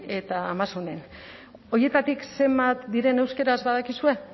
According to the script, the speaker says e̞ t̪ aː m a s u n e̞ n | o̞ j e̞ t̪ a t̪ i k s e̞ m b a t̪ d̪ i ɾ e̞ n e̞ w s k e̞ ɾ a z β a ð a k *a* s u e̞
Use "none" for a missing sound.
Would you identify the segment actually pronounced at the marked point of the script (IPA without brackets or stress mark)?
i